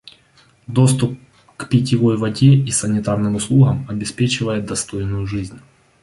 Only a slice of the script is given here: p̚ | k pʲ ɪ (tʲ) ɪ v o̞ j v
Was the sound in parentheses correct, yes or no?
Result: yes